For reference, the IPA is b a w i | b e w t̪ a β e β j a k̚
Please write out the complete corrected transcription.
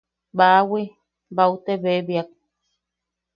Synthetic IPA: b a w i | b a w t̪ e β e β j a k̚